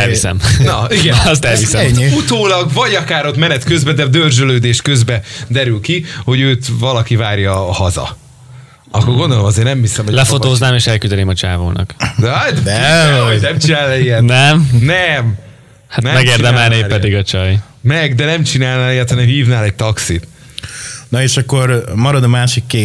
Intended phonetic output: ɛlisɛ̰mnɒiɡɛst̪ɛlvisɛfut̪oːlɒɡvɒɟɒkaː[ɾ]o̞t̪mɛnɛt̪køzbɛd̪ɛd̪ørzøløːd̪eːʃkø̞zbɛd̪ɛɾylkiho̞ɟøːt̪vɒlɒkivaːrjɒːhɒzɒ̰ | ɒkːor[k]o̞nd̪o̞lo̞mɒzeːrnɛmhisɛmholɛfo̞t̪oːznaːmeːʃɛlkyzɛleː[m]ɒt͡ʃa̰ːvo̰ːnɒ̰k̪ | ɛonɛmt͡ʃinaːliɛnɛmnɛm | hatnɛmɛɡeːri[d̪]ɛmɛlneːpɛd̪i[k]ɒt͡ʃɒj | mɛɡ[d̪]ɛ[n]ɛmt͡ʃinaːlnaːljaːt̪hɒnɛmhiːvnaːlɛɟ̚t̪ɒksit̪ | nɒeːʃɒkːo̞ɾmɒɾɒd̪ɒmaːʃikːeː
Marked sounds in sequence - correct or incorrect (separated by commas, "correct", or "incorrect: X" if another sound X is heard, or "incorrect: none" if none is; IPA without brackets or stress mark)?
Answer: correct, incorrect: ɡ, correct, correct, incorrect: ɡ, correct, correct